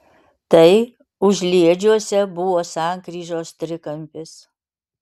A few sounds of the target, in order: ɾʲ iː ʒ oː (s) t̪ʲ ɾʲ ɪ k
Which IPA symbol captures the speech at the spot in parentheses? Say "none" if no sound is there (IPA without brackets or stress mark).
s